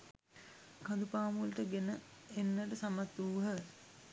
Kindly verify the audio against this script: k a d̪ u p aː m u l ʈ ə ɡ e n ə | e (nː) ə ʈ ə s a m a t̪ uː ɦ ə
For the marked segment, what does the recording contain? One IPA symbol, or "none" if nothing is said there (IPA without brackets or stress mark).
nː